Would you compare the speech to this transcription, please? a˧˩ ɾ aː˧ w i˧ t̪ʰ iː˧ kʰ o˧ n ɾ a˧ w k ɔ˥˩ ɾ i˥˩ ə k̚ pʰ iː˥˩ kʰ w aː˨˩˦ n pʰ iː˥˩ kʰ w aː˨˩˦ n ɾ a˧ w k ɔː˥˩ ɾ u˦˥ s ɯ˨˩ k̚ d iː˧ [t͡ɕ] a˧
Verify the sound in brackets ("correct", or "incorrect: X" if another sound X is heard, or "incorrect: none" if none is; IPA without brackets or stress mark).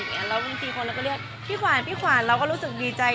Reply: correct